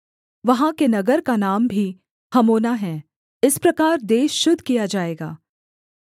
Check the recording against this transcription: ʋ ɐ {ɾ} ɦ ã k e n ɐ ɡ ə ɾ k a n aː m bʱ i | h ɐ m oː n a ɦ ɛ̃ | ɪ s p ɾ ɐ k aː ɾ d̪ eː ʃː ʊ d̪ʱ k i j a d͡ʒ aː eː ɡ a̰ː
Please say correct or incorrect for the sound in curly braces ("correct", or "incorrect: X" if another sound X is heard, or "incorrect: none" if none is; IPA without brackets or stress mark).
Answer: incorrect: none